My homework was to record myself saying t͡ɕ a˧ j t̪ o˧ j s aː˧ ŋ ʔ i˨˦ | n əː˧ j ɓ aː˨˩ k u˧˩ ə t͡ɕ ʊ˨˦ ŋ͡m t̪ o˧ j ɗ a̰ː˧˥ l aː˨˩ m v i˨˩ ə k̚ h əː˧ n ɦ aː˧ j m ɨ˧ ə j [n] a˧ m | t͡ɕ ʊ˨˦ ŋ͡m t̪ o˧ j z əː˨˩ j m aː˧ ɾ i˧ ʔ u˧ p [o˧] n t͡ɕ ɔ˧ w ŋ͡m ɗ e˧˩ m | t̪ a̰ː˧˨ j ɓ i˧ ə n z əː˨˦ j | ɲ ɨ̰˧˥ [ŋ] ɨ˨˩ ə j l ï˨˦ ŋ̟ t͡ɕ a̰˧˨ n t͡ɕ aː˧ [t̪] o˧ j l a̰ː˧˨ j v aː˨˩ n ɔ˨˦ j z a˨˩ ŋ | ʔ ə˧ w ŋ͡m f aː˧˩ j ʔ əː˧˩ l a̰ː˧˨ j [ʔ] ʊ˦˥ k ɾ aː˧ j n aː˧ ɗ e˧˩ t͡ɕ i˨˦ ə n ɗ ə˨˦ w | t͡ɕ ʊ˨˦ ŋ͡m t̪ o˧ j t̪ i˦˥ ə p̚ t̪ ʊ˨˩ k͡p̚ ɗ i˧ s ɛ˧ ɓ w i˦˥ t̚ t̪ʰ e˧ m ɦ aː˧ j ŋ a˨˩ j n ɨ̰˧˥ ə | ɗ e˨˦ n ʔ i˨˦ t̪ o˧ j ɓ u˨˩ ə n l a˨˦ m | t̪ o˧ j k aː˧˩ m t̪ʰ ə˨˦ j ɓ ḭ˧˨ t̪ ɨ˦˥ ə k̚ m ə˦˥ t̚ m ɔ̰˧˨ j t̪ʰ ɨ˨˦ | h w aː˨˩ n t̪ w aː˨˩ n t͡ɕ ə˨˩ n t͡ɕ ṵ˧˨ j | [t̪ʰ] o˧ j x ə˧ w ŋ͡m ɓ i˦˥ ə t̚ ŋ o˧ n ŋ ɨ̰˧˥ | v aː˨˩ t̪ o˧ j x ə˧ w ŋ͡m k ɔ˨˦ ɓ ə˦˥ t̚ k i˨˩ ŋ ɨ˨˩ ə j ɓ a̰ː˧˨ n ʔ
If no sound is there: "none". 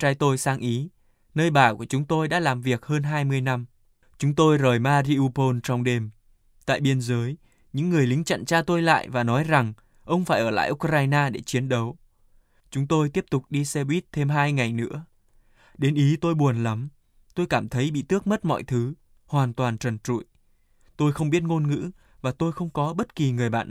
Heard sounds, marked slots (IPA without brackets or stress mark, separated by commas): n, o˧, ŋː, t̪, ʔ, t̪